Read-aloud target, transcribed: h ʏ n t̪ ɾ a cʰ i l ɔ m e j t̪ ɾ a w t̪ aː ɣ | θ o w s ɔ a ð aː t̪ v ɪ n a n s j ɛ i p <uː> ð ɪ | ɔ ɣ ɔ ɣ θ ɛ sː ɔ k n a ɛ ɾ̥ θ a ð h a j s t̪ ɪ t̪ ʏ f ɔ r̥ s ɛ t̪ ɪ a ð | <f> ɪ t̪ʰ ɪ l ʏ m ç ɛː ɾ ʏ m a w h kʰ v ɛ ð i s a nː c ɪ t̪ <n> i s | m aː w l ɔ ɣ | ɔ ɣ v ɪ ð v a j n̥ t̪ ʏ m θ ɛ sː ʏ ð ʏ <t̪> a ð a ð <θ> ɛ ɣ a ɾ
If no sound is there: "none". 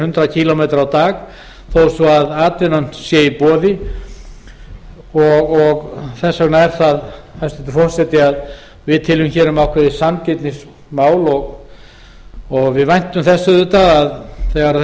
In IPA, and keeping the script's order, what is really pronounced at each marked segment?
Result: ɔː, v, n, t̪, θ

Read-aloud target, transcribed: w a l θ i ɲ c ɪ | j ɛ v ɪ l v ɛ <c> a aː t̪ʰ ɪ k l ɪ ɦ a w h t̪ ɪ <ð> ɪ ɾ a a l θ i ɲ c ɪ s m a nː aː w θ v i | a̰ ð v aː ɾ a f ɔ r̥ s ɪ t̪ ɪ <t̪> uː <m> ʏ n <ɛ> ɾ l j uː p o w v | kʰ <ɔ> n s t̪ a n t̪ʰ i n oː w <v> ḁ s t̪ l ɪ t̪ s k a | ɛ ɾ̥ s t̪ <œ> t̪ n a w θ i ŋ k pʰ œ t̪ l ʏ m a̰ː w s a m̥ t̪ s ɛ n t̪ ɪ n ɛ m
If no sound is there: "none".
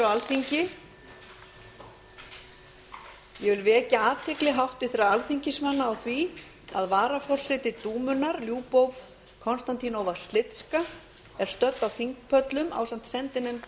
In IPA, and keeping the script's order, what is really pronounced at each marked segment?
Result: c, θ, t̪, m, a, ɔ, v, œ

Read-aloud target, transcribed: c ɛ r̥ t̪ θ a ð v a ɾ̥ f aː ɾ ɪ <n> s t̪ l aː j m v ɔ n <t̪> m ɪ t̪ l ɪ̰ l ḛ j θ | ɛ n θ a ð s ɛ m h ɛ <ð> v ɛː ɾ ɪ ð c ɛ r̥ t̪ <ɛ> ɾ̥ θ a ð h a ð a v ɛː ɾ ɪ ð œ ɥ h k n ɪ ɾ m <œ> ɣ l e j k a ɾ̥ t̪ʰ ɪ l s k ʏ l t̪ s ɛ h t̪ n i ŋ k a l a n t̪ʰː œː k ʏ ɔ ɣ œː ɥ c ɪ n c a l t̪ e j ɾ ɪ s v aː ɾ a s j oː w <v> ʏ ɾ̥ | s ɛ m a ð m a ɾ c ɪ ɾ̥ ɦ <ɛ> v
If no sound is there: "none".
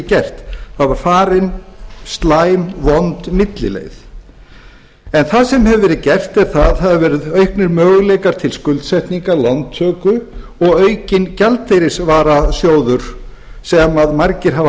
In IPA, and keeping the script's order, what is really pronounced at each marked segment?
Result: n, t̪, v, ɛ, œː, ð, a

